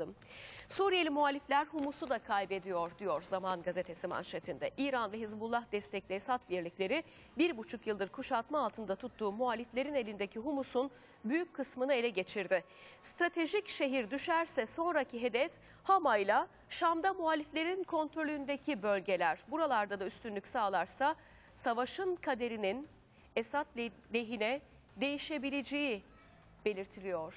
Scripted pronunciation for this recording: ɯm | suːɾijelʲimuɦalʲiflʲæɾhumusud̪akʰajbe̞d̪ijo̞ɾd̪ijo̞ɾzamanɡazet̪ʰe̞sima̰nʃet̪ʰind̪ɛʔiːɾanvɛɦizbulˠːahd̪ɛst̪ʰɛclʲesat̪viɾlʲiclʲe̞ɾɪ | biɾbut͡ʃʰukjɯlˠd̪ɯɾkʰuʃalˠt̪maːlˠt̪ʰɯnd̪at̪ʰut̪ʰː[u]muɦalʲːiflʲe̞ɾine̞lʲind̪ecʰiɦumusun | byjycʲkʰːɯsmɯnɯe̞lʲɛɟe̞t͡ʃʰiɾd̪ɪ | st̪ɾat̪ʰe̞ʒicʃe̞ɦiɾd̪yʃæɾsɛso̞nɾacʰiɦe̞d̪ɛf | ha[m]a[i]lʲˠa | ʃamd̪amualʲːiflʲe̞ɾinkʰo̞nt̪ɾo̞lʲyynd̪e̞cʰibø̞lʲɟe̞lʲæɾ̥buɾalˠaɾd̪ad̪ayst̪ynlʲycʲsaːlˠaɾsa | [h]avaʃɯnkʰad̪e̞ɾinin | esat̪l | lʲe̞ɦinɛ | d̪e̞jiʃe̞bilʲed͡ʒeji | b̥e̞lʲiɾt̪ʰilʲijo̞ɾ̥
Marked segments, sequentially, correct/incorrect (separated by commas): incorrect, correct, incorrect, incorrect